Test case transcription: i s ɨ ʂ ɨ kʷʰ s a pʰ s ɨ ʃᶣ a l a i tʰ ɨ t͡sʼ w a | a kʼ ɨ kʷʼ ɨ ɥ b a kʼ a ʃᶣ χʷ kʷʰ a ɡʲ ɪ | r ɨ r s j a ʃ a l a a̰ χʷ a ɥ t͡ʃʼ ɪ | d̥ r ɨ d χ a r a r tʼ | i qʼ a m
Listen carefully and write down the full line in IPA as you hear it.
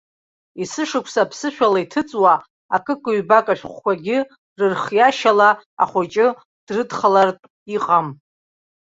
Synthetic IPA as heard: i s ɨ ʂ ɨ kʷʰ s a pʰ s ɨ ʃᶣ a l a i tʰ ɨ t͡sʼ w a | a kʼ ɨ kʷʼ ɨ ɥ b a kʼ a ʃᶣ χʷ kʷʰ a ɡʲ ɪ | r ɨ r χ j a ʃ a l a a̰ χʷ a t͡ʃʼ ɪ | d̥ r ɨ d χ a l a r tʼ | i qʼ a m